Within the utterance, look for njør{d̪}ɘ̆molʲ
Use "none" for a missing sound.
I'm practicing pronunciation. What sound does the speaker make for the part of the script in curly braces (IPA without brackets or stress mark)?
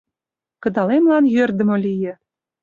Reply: d̪